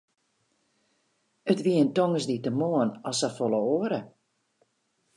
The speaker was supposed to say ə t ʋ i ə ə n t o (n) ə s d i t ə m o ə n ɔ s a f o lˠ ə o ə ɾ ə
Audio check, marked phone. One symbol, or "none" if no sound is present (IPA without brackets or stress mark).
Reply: ŋ